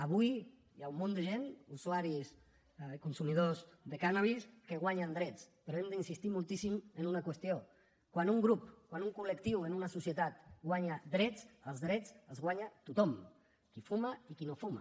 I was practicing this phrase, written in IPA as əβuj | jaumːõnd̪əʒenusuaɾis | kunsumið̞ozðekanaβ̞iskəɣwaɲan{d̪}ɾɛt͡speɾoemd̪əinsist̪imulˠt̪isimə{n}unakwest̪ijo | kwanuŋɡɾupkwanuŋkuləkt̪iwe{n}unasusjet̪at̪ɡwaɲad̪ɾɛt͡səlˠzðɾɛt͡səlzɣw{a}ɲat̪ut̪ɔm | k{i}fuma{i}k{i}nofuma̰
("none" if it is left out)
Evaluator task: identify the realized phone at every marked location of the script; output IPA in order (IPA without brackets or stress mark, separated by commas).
d̪, n, n, a, i, i, i